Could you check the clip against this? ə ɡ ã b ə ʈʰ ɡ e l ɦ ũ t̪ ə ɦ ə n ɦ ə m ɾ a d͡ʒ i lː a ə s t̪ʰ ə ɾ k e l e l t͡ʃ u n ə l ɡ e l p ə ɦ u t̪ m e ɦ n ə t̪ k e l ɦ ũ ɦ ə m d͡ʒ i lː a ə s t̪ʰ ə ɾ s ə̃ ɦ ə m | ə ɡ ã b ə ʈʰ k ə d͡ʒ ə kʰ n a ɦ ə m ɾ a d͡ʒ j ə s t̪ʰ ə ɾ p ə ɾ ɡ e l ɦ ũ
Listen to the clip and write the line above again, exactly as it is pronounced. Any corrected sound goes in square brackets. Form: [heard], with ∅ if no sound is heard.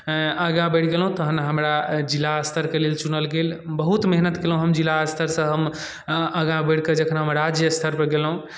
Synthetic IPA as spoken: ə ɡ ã b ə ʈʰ ɡ e l ɦ ũ t̪ ə ɦ ə n ɦ ə m ɾ a d͡ʒ i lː a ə s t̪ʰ ə ɾ k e l e l t͡ʃ u n ə l ɡ e l [b] ə ɦ u t̪ m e ɦ n ə t̪ k e l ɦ ũ ɦ ə m d͡ʒ i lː a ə s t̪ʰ ə ɾ s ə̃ ɦ ə m | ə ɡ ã b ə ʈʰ k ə d͡ʒ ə kʰ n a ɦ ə m ɾ a d͡ʒ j ə s t̪ʰ ə ɾ p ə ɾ ɡ e l ɦ ũ